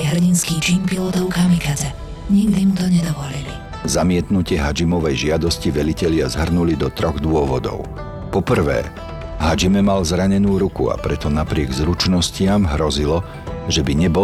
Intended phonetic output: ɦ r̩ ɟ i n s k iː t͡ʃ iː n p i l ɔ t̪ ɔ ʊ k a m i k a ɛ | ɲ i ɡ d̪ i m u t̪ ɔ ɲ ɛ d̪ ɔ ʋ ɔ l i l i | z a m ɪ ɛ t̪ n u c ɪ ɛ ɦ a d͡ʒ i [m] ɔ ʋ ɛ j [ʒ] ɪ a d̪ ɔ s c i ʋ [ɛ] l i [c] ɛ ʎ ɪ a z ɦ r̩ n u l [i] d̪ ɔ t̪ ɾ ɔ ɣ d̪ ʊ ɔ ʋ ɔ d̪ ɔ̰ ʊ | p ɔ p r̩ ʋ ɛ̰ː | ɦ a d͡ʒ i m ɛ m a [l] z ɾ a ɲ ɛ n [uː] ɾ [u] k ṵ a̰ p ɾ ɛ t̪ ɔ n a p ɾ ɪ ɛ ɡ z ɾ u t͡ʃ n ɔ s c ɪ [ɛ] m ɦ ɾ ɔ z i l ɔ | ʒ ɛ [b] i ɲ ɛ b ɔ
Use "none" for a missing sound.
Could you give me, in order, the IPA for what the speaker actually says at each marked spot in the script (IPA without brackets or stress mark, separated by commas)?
m, ʒ, ɛ, c, i, l, uː, u, a, b